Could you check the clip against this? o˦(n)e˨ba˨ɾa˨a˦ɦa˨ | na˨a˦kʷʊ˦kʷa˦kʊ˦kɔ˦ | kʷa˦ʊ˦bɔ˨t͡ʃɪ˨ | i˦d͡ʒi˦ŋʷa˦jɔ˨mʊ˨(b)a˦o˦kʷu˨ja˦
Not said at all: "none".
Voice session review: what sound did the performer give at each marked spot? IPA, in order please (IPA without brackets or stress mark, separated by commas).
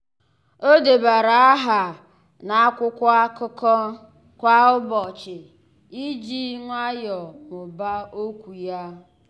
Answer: d, b